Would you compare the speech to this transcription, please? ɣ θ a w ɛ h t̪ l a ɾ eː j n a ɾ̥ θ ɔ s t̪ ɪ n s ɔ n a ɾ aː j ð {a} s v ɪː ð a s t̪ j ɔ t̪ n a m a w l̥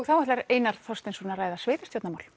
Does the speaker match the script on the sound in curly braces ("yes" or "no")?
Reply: yes